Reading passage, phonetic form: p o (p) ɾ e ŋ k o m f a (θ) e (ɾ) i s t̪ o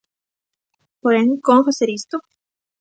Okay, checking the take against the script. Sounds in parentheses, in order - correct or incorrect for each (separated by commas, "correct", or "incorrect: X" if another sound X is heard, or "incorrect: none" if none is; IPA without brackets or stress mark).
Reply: incorrect: none, incorrect: s, correct